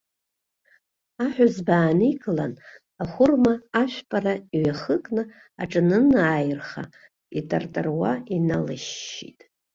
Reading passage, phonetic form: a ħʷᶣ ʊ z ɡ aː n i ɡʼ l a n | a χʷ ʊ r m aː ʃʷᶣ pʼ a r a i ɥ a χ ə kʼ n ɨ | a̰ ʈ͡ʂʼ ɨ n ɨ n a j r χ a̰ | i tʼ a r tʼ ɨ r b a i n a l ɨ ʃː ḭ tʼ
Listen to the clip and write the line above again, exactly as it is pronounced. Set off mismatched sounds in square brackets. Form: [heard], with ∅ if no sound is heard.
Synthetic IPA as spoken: a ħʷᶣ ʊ z [b] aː n i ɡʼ l a n | a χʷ ʊ r m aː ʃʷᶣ pʼ a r a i ɥ a χ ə kʼ n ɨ | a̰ ʈ͡ʂʼ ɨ n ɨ n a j r χ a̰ | i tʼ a r tʼ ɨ r [w] a i n a l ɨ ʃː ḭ tʼ